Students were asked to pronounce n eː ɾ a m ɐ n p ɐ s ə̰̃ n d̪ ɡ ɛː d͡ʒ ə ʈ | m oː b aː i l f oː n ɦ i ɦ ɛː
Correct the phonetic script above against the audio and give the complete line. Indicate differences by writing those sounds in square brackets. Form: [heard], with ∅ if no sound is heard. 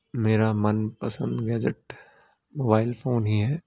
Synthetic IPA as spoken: [m] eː ɾ a m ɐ n p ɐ s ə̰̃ n d̪ ɡ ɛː d͡ʒ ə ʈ | m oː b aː [ɪ] l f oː n ɦ i ɦ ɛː